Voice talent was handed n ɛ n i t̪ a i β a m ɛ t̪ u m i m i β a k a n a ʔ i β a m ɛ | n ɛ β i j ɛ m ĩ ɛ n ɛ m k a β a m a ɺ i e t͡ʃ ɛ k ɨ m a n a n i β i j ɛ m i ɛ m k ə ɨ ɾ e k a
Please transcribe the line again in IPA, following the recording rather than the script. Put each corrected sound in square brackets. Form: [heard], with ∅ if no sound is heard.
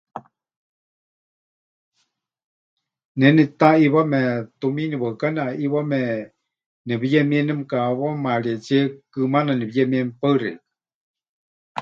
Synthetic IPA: n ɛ n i t̪ a i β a m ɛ t̪ u m i [n] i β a k a n a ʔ i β a m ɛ | n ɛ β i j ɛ m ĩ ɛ n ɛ m k a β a m a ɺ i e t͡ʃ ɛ k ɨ m a n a n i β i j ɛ m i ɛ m [p] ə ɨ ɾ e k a